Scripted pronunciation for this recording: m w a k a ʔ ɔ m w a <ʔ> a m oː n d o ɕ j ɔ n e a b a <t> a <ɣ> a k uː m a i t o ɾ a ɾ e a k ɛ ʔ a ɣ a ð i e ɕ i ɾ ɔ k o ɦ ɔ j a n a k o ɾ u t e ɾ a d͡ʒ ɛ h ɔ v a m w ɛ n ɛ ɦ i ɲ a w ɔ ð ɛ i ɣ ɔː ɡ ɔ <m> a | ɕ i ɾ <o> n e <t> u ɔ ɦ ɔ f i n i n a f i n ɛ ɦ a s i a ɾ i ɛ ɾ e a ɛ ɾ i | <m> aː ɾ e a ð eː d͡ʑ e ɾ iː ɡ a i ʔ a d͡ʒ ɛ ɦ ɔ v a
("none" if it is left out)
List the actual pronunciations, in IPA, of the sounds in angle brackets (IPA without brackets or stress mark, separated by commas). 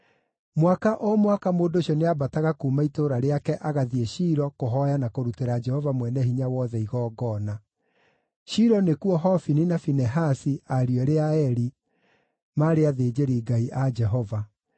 k, t, ɣ, n, ɔ, k, m